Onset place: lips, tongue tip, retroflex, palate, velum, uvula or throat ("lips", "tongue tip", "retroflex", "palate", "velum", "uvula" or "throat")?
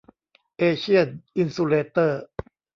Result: throat